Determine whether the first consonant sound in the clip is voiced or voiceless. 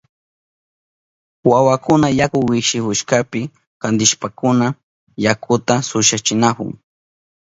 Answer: voiced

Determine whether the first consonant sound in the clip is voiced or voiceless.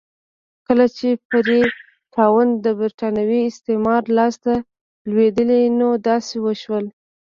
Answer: voiceless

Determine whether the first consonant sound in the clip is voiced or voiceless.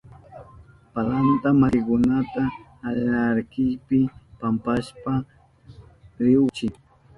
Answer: voiceless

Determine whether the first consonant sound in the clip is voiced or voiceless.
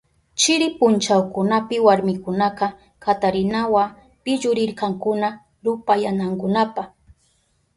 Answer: voiceless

